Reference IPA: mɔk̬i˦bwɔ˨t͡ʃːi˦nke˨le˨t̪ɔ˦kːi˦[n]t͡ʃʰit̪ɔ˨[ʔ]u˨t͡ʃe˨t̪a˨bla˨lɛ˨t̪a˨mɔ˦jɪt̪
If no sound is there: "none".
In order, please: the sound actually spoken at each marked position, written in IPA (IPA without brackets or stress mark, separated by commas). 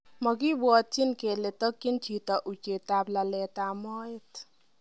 n, ʔ